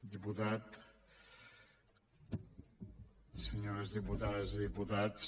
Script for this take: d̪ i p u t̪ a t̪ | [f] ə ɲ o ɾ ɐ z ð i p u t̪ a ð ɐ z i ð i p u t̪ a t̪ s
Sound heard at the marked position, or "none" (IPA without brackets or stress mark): s